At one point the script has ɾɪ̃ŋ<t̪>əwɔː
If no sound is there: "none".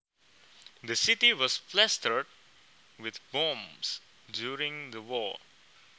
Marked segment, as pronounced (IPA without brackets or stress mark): d̪